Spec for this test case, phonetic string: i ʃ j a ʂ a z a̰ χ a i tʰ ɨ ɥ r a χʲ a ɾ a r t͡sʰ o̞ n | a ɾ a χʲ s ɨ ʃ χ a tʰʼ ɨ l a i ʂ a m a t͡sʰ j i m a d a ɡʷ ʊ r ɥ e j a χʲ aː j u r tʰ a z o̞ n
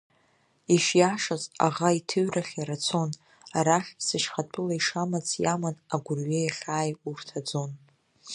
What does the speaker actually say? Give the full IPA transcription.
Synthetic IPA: i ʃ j a ʂ a z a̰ ʁ a i tʰ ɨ ɥ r a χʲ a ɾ a t͡sʰ o̞ n | a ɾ a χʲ s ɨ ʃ χ a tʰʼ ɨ l a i ʂ a m a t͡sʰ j a m a n a ɡʷ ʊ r ɥ e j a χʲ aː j u r tʰ a d͡z o̞ n

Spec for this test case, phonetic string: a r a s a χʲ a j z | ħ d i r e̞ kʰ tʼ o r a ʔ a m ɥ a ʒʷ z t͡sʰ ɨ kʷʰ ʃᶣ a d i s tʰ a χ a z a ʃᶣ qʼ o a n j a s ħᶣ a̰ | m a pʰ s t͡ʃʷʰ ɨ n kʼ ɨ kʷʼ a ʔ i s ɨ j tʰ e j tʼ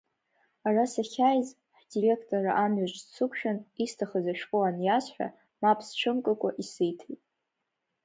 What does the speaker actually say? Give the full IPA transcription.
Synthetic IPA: a r a s a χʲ a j z | ħ d i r e̞ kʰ tʼ o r a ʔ a m ɥ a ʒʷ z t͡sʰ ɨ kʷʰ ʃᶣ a n i s tʰ a χ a z a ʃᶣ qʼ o a n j a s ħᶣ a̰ | m a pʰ s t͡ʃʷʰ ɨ m kʼ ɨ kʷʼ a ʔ i s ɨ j tʰ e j tʼ

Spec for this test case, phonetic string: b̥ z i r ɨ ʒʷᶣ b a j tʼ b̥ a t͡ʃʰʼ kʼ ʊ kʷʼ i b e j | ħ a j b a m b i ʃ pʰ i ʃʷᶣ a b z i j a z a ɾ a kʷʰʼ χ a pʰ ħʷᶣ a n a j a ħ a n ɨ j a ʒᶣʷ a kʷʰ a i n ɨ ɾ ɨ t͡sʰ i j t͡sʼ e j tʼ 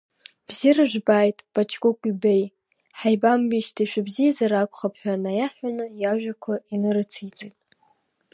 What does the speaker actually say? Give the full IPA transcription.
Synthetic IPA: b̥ z i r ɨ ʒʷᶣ b a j tʼ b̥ a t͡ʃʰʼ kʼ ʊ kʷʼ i b e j | ħ a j b a m b i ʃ tʰ i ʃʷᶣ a b z i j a z a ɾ a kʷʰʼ χ a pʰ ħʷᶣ a n a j a ħ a n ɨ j a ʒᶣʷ a kʷʰ a i n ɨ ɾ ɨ t͡sʰ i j t͡sʼ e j tʼ

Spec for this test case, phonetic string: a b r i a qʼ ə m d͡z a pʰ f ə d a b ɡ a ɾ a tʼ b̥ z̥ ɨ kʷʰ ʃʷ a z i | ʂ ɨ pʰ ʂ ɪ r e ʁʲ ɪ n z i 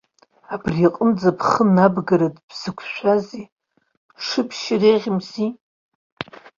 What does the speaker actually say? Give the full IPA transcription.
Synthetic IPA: a b r i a qʼ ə m d͡z a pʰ χ ə n a b ɡ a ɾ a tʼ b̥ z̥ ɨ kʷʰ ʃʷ a z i | ʂ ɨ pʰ ʃ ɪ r e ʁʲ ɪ m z i

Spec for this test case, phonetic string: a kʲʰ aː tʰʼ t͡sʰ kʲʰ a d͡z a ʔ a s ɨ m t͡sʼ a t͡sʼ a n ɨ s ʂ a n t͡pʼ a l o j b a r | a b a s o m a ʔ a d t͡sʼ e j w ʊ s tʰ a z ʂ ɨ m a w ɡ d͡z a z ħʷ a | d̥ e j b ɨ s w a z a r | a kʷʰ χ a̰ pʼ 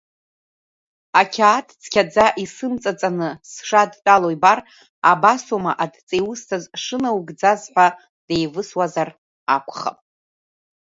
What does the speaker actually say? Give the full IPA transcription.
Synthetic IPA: a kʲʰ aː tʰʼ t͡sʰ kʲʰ a d͡z a ʔ i s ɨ m t͡sʼ a t͡sʼ a n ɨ s ʂ a d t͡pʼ a l o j b a r | a b a s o m a ʔ a d t͡sʼ e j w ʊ s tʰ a z ʂ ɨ n a w ɡ d͡z a z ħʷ a | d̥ e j v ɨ s w a z a r | a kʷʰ χ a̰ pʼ

